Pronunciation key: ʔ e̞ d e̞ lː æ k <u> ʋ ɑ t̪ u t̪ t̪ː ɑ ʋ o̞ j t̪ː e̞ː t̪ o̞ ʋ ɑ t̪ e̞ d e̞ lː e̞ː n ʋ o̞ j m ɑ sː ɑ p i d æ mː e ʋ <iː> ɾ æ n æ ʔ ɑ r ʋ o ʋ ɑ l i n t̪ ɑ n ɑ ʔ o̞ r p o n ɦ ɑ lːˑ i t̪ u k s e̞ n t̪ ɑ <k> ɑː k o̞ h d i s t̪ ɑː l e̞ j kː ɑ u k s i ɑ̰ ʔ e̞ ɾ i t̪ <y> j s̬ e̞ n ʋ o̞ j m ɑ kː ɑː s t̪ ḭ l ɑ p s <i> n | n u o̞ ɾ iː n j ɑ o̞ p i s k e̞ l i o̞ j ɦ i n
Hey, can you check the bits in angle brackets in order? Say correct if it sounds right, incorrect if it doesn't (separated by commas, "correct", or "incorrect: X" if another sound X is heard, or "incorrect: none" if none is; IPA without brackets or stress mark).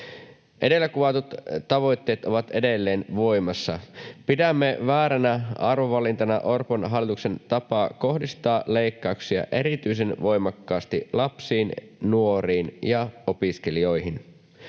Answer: correct, incorrect: æː, incorrect: p, correct, incorrect: iː